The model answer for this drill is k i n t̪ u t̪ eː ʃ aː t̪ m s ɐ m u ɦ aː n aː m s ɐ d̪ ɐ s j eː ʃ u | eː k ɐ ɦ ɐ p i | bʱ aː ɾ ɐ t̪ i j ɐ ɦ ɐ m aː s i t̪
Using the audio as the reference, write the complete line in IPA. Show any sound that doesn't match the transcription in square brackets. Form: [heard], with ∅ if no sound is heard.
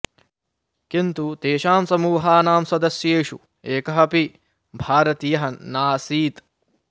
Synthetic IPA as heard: k i n t̪ u t̪ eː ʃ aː [∅] m s ɐ m [uː] ɦ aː n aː m s ɐ d̪ ɐ s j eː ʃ u | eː k ɐ ɦ ɐ p i | bʱ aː ɾ ɐ t̪ i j ɐ ɦ ɐ [n] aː s [iː] t̪